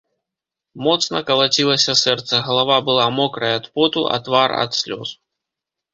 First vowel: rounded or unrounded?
rounded